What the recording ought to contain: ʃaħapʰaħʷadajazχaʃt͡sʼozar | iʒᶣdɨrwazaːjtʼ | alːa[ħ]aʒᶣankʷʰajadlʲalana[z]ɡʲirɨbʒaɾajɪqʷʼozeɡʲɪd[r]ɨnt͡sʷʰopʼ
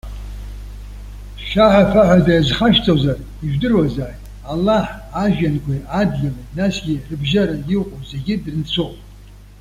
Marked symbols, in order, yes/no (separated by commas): yes, no, yes